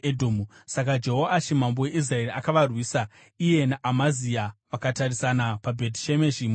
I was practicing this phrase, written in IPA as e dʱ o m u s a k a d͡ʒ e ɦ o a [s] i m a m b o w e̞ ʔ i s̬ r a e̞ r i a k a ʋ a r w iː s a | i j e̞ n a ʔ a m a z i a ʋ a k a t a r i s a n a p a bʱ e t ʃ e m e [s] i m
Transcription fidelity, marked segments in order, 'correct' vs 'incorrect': incorrect: ʃ, incorrect: ʃ

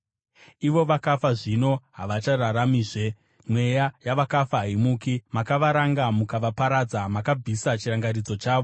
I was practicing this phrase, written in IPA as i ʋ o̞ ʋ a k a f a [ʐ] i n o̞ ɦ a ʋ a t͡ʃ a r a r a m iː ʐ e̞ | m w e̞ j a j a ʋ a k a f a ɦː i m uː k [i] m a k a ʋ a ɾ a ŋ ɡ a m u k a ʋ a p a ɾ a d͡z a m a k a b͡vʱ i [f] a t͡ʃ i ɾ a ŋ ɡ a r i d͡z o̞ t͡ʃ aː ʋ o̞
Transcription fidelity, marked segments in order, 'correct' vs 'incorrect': correct, correct, incorrect: s

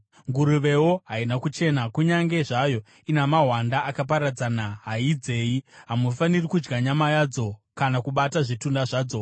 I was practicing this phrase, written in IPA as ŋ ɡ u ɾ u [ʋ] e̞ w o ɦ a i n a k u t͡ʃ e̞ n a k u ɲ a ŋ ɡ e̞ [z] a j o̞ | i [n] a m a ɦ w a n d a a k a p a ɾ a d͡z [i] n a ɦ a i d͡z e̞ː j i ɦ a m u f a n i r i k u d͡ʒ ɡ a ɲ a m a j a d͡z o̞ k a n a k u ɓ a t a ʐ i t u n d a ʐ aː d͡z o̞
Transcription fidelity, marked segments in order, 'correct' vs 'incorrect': correct, incorrect: ʐ, correct, incorrect: a

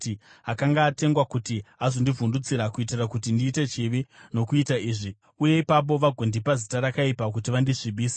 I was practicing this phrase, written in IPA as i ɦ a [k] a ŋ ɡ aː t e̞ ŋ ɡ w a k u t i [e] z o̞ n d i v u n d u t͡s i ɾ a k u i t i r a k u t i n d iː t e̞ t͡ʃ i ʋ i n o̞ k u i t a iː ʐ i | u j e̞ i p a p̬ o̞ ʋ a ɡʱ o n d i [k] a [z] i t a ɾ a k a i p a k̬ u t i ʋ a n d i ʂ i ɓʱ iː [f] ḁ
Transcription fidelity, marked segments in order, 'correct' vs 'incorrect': correct, incorrect: a, incorrect: p, correct, incorrect: s

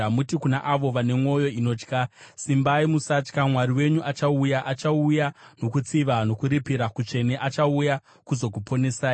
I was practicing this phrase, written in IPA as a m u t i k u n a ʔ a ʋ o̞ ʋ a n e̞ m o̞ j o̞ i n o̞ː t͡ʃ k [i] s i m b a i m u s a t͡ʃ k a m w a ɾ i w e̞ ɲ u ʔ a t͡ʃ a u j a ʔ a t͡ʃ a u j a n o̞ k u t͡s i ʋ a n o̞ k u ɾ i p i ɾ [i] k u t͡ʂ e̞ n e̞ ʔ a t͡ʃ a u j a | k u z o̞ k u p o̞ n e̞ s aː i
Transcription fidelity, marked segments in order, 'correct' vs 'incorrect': incorrect: a, incorrect: a

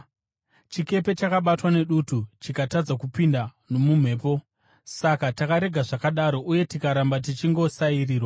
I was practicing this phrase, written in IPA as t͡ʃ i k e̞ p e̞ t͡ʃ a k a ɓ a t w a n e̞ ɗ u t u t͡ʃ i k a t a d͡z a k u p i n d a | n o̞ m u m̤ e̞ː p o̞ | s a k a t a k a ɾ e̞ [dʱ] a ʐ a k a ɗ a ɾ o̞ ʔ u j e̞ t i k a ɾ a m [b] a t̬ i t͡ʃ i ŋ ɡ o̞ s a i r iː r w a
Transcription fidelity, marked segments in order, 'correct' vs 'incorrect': incorrect: ɡʱ, correct

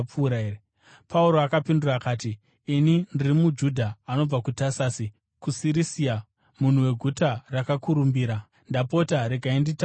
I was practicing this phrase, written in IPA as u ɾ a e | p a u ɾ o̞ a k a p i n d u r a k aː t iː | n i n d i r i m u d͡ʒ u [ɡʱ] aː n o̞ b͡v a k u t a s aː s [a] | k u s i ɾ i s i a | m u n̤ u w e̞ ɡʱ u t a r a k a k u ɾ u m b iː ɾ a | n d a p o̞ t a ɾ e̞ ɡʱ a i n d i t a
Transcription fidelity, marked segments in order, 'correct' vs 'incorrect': incorrect: dʱ, incorrect: i

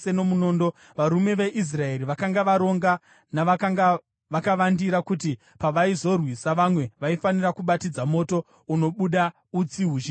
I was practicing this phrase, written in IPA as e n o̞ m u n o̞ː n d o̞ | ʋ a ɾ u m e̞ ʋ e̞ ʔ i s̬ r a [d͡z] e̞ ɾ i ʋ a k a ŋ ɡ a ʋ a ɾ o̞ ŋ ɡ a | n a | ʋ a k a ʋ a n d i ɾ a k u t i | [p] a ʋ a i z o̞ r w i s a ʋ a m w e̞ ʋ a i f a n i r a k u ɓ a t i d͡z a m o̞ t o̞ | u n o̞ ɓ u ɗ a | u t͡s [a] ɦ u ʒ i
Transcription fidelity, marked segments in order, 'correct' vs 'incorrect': incorrect: none, correct, incorrect: i

